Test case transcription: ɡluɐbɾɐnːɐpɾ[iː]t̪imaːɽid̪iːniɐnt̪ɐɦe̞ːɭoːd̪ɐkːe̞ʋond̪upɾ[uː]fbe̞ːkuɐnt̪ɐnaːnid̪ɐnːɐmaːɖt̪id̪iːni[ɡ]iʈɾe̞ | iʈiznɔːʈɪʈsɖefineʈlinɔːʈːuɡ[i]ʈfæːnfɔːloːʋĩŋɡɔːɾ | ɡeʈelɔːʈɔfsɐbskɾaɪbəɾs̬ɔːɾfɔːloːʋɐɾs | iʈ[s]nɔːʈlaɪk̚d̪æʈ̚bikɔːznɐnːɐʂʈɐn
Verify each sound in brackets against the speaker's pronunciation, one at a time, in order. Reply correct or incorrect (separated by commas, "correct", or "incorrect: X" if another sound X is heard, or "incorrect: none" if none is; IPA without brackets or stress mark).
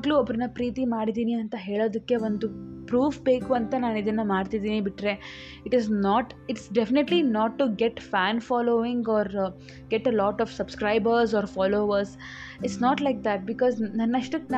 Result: correct, correct, incorrect: b, incorrect: e, correct